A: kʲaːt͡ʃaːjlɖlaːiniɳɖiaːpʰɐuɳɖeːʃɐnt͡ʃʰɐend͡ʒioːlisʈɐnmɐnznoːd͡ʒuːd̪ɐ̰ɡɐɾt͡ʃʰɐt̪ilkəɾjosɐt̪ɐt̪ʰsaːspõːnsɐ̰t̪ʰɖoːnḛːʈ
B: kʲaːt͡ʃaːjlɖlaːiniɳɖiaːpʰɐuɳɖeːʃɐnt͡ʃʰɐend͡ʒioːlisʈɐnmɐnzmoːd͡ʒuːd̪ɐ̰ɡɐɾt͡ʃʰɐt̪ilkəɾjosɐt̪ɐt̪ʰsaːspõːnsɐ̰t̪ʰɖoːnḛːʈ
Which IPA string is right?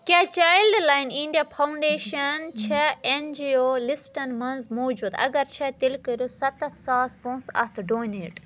B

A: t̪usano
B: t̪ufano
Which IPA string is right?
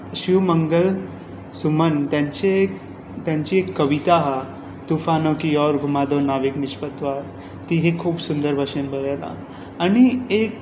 B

